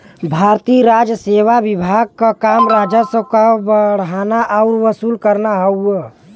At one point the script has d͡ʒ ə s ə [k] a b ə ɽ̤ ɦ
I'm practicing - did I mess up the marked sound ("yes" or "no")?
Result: no